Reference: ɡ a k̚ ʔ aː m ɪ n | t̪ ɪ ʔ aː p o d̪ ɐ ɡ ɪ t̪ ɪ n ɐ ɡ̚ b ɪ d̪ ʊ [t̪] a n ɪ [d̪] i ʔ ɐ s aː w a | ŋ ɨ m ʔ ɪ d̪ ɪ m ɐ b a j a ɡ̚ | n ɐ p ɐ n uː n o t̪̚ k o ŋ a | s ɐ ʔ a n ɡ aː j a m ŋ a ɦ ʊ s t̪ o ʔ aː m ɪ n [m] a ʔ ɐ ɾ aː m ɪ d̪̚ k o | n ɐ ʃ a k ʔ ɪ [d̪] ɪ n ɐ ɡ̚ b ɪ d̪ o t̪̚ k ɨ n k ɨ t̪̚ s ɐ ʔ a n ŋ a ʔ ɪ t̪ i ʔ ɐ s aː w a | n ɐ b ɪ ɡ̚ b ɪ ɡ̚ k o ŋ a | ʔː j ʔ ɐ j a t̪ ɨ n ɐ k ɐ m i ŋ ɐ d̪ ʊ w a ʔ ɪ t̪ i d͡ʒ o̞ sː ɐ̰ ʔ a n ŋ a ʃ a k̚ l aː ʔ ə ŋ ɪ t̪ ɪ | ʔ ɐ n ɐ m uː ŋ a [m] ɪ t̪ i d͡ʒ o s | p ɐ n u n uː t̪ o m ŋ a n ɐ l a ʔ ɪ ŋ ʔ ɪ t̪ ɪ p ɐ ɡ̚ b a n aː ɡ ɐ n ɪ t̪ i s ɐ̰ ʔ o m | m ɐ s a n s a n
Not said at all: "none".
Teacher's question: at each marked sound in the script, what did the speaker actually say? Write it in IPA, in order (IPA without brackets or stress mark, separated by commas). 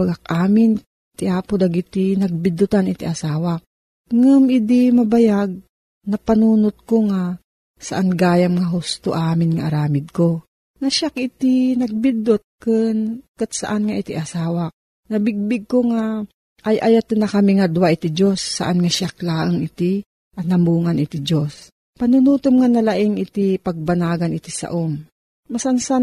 t̪, t̪, ŋ, t̪, n